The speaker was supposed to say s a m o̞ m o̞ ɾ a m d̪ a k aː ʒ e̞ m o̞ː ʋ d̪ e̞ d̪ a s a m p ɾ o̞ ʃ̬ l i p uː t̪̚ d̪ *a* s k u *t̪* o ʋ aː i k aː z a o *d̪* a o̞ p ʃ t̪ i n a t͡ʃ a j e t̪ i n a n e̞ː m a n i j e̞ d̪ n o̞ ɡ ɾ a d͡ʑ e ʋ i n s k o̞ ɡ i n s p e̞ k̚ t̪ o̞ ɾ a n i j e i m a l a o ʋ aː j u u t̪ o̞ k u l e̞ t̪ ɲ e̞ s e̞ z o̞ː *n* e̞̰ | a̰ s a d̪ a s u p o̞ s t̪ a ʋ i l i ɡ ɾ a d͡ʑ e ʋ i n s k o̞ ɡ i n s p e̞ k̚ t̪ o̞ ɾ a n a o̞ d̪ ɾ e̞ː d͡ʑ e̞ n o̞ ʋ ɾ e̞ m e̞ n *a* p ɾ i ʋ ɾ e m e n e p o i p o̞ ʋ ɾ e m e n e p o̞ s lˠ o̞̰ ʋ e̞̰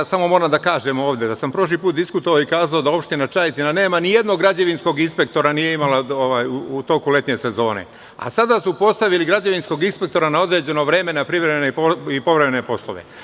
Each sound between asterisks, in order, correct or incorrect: incorrect, correct, correct, correct, correct

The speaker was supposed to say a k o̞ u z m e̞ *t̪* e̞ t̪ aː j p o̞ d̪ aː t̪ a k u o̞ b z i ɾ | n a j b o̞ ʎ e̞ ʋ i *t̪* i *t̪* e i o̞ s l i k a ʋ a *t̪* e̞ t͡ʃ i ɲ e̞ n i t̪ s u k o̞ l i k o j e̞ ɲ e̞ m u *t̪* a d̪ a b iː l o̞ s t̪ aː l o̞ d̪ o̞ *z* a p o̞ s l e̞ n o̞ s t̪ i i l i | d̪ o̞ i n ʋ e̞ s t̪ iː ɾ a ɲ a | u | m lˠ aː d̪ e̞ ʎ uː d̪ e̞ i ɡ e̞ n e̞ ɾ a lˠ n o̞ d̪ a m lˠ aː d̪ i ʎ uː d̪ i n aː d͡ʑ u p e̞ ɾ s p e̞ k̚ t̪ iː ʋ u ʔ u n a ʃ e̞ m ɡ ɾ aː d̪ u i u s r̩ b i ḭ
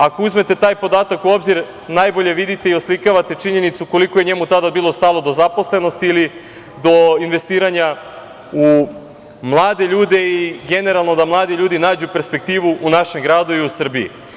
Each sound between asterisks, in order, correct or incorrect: correct, incorrect, correct, correct, correct, correct

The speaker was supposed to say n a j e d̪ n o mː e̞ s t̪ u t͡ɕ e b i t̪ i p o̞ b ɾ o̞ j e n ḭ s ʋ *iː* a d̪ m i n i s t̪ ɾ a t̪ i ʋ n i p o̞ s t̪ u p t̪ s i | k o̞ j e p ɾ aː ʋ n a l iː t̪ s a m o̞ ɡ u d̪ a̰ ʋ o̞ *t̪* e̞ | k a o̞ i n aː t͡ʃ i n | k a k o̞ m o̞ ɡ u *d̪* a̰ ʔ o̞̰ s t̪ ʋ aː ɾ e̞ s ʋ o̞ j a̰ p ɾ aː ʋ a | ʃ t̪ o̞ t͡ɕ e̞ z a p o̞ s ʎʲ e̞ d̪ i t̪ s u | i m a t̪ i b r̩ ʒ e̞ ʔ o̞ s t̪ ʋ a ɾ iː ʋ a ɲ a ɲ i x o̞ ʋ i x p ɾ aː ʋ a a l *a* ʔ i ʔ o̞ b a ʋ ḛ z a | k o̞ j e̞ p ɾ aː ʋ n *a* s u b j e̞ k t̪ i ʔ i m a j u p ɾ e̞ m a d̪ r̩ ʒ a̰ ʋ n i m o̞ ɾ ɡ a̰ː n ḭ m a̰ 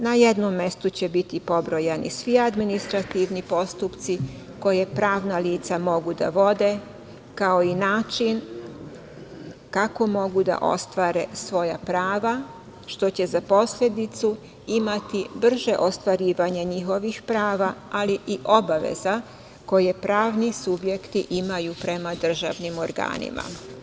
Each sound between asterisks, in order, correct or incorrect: incorrect, incorrect, correct, incorrect, incorrect

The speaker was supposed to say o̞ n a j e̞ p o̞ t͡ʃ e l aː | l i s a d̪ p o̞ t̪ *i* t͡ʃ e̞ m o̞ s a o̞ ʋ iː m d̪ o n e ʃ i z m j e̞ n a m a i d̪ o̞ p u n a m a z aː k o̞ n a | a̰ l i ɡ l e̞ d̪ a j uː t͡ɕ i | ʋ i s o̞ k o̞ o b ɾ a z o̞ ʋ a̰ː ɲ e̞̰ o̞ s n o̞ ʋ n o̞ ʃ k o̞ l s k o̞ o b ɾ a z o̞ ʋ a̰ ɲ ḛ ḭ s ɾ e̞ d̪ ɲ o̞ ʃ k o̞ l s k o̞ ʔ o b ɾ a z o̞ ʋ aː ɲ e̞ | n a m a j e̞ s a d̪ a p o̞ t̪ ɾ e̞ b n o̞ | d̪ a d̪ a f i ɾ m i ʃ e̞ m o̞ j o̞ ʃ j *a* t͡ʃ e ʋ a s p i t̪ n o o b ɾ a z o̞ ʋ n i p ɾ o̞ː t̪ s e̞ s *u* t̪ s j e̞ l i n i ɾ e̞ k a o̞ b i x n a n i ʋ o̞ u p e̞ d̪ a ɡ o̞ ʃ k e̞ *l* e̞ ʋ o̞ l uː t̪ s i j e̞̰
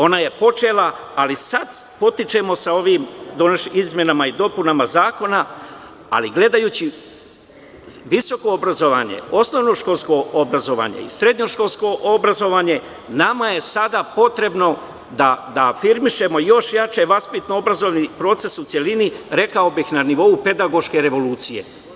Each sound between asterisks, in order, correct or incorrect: correct, correct, correct, incorrect

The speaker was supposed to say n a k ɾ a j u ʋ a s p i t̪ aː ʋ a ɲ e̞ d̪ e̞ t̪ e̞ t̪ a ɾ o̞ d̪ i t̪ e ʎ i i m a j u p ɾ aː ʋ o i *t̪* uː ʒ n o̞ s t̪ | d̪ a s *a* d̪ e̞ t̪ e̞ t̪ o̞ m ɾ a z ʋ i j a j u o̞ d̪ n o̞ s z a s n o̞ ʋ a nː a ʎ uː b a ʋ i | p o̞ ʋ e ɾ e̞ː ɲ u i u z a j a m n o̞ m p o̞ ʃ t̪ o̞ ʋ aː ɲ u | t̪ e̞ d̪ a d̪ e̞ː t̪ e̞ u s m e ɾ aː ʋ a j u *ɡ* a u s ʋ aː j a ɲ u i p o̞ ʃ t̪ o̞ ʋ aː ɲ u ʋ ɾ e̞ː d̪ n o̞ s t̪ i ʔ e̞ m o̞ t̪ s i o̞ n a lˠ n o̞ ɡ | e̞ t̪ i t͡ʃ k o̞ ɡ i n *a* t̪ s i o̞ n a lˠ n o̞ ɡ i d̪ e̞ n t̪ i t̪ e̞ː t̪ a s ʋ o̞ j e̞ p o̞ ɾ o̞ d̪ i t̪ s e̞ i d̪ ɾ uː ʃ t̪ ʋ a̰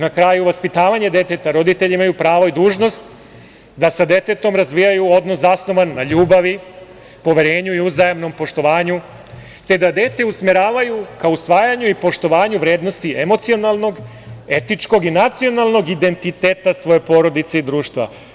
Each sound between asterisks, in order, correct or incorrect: incorrect, correct, incorrect, correct

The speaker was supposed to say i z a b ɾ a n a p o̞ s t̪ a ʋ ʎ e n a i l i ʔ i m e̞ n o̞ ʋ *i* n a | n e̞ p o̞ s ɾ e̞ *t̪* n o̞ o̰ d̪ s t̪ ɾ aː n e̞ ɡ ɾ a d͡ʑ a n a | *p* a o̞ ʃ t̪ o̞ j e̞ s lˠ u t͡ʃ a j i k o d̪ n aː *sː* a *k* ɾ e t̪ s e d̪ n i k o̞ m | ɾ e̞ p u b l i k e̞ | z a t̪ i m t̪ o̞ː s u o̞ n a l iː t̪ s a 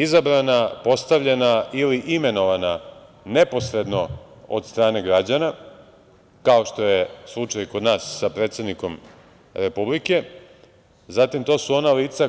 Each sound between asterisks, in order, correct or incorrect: incorrect, incorrect, incorrect, correct, incorrect

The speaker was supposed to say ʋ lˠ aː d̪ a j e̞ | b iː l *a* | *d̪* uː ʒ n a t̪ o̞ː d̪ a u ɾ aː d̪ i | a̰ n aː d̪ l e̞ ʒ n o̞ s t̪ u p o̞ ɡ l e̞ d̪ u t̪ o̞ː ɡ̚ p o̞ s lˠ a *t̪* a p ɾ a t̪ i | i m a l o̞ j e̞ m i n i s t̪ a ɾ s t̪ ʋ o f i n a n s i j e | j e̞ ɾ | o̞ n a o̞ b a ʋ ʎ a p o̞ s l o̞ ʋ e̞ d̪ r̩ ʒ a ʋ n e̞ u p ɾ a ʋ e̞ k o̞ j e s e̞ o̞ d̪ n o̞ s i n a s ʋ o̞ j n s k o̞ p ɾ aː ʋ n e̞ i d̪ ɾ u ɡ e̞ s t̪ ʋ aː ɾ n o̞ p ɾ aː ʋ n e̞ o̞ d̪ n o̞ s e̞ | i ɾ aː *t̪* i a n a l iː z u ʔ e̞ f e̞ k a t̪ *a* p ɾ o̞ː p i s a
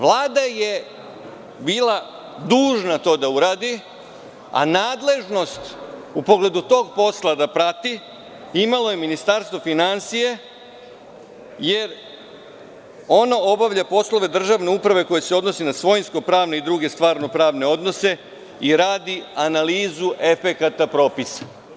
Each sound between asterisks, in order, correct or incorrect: correct, correct, incorrect, incorrect, correct

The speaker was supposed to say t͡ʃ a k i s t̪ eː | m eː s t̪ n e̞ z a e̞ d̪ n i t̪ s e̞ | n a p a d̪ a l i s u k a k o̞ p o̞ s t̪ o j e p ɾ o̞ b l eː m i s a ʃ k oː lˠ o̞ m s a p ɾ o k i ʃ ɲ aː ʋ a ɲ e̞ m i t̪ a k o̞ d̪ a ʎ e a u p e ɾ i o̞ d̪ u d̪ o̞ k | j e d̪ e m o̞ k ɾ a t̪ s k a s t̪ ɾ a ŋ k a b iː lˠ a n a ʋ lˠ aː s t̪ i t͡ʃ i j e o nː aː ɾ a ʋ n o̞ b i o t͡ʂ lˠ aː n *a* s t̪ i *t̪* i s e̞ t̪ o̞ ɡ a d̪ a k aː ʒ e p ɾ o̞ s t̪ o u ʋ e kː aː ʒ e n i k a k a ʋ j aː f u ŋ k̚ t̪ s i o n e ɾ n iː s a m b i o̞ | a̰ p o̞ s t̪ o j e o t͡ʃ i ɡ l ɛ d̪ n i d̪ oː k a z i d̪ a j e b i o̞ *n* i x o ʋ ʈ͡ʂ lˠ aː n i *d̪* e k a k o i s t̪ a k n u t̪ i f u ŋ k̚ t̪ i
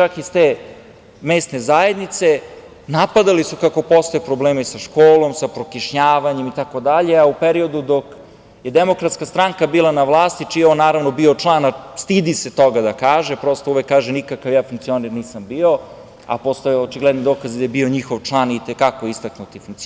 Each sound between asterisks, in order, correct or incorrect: correct, incorrect, incorrect, incorrect

